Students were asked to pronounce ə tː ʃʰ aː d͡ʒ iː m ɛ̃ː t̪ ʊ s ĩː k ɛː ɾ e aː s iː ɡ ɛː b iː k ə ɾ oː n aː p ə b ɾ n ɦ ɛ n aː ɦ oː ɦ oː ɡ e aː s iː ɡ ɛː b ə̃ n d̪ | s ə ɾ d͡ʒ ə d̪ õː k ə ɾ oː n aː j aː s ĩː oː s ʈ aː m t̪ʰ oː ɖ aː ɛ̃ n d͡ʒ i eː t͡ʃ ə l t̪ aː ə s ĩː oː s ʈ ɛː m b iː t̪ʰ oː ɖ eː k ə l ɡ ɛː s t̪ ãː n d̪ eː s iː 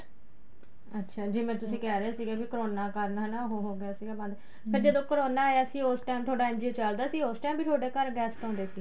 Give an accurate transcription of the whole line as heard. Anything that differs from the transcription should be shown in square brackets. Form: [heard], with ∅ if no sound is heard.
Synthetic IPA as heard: ə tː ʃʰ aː d͡ʒ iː m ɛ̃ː t̪ ʊ s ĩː k ɛː ɾ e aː s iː ɡ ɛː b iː k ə ɾ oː n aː [k] ə [∅] ɾ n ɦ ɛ n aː ɦ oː ɦ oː ɡ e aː s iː ɡ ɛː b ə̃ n d̪ | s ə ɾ d͡ʒ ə d̪ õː k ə ɾ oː n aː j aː s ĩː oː s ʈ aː m t̪ʰ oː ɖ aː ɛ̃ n d͡ʒ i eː t͡ʃ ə l [d̪] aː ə s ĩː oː s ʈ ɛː m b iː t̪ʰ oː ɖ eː k ə [ɾ] ɡ ɛː s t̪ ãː n d̪ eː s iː